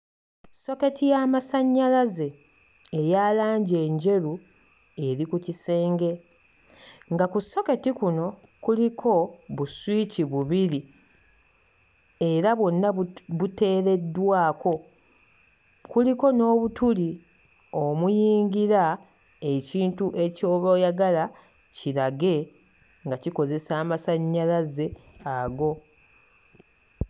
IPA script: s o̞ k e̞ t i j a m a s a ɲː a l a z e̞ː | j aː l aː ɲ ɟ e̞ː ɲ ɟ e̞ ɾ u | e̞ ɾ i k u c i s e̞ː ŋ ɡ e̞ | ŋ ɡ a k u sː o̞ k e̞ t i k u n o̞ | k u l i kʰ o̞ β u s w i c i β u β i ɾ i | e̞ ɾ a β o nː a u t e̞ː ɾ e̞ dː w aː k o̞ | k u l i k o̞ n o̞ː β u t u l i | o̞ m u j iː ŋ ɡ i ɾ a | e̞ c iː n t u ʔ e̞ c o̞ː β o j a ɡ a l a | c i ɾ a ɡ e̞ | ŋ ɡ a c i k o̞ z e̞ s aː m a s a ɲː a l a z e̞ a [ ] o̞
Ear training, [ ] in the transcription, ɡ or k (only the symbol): ɡ